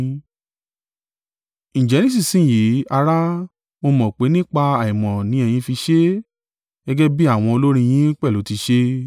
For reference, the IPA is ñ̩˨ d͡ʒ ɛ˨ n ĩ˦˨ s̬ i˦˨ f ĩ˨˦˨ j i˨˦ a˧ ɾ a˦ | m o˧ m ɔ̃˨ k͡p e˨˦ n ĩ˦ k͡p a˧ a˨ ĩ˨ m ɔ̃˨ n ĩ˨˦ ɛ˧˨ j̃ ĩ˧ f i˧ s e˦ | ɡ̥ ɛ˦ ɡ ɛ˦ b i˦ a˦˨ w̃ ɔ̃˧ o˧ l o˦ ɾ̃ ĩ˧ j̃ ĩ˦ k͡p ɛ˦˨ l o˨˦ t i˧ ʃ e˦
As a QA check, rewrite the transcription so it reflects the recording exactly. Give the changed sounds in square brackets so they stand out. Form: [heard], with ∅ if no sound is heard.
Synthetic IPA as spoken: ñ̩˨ d͡ʒ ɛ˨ n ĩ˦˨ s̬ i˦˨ [s] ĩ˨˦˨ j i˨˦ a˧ ɾ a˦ | m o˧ m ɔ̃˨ k͡p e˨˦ n ĩ˦ k͡p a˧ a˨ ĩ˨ m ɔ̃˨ n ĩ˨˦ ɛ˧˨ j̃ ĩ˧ f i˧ [ʃ] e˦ | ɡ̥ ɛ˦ ɡ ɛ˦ b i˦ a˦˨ w̃ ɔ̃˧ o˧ l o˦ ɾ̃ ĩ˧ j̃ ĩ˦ k͡p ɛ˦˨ l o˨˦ t i˧ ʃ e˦